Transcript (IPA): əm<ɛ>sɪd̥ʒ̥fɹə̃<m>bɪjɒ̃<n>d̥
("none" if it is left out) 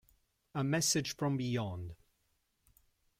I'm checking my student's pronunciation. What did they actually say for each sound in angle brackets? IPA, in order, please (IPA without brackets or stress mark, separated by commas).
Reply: ɛ, m, n